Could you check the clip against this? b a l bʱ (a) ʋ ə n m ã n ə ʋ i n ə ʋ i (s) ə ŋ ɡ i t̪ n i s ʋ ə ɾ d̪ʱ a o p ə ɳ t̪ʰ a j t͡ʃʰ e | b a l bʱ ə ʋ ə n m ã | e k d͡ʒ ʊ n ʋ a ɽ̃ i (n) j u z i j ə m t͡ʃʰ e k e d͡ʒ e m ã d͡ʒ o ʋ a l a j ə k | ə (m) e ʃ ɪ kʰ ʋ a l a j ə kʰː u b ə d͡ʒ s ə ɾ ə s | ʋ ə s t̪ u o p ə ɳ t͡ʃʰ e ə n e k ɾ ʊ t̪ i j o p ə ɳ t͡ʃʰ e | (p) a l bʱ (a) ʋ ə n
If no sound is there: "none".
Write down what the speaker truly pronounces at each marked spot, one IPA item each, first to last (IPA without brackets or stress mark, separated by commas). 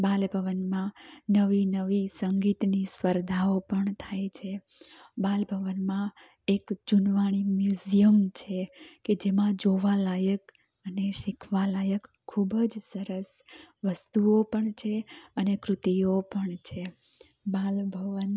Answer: ə, s, m, n, b, ə